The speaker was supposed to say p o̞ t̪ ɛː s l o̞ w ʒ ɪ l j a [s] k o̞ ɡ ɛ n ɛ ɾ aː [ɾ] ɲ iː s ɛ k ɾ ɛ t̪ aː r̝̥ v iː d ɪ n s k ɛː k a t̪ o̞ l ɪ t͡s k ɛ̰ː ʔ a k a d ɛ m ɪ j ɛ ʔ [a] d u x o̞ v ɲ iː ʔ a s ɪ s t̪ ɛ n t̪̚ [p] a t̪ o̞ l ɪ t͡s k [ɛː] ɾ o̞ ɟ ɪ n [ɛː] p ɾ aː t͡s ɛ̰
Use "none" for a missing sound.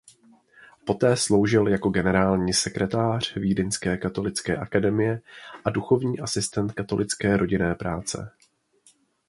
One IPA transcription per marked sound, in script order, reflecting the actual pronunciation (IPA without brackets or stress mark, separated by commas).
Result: none, l, a, k, ɛː, ɛː